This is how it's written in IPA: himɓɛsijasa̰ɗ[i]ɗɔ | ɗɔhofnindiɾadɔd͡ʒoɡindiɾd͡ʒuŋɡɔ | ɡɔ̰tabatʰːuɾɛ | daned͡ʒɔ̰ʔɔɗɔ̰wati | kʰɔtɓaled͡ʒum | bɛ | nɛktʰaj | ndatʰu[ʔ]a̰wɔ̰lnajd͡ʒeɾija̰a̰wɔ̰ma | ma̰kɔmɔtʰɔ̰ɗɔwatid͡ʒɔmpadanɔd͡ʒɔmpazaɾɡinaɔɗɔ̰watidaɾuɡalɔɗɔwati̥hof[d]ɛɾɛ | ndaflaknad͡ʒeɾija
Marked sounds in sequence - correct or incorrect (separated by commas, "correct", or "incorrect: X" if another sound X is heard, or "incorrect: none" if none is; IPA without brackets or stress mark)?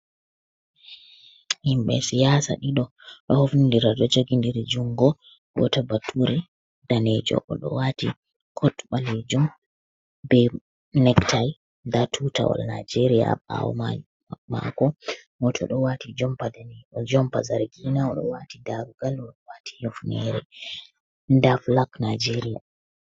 correct, incorrect: t, incorrect: n